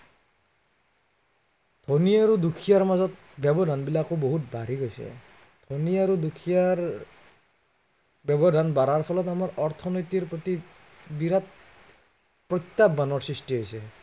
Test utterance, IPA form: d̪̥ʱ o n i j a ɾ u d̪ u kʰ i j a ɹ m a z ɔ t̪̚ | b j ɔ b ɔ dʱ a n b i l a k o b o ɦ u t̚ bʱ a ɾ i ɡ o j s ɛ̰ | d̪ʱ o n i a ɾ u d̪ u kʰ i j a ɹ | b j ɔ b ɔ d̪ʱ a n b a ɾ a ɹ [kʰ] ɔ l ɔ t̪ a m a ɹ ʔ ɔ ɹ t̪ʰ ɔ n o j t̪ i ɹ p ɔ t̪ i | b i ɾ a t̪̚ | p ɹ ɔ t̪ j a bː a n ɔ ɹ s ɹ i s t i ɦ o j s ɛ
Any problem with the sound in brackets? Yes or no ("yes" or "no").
yes